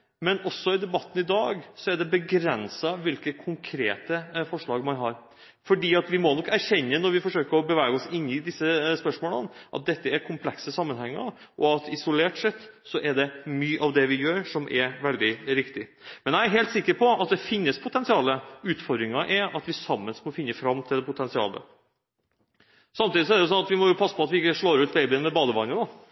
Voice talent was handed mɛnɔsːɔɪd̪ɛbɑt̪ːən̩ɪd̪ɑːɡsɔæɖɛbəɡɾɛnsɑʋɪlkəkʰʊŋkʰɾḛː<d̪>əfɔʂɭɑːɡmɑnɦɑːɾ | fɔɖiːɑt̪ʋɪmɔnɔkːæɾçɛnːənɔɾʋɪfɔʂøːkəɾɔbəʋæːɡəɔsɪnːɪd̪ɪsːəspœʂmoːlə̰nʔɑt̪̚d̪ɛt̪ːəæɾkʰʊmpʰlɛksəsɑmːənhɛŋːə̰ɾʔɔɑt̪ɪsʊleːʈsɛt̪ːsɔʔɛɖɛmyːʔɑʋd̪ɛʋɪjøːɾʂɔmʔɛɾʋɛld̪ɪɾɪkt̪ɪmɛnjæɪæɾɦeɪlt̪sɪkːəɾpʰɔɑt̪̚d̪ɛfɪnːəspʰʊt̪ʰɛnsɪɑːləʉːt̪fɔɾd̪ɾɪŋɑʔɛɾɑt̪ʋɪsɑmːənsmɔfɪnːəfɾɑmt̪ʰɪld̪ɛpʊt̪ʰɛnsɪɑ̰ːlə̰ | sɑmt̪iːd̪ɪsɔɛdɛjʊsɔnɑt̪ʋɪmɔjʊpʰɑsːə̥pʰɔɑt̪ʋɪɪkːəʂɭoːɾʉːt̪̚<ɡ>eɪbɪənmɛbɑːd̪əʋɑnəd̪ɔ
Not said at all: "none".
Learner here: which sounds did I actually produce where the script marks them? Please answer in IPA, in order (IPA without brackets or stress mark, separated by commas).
t̪, b